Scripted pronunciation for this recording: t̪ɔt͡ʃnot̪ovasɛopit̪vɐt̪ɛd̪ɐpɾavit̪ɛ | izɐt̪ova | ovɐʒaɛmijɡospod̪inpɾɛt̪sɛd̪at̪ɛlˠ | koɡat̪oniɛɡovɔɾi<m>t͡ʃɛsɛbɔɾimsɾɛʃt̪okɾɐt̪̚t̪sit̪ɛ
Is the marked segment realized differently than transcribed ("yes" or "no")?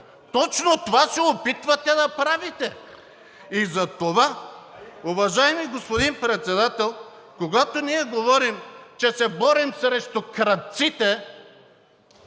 no